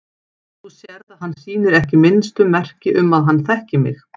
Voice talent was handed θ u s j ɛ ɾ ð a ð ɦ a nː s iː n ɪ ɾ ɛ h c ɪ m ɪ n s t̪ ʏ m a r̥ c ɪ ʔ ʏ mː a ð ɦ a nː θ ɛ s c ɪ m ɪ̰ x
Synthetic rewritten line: θ u s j ɛ ɾ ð a ð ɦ a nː s iː n ɪ ɾ ɛ h c ɪ m ɪ n s t̪ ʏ m ɛ r̥ c ɪ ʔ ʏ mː a ð ɦ a nː θ ɛ h c ɪ m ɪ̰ x